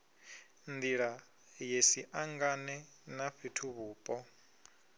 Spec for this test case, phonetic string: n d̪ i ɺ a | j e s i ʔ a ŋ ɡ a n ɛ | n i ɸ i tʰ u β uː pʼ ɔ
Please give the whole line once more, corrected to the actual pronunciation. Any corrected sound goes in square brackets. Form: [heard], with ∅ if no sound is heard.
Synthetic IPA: n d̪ i ɺ a | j e s i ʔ a ŋ ɡ a n ɛ | n [a] ɸ i tʰ u β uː pʼ ɔ